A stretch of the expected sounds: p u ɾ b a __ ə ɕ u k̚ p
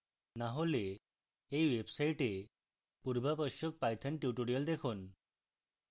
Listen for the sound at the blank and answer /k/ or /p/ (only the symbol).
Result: p